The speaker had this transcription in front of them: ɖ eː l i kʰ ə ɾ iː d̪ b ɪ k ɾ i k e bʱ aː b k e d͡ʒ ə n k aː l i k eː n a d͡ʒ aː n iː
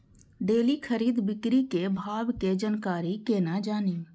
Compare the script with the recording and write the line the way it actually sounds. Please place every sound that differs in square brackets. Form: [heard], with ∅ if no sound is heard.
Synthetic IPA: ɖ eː l i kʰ ə ɾ iː d̪ b ɪ k ɾ i k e bʱ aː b k e d͡ʒ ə n k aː [ɾ] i k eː n a d͡ʒ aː n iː